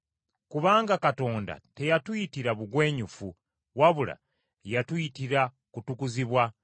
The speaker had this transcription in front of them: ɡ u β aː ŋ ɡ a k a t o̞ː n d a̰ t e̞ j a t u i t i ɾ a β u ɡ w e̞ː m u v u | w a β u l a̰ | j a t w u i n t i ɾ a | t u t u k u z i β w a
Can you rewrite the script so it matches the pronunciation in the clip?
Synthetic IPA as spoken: k u β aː ŋ ɡ a k a t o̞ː n d a̰ t e̞ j a t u i t i ɾ a β u ɡ w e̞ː ɲ u f u | w a β u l a̰ | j a t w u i t i ɾ a | k u t u k u z i β w a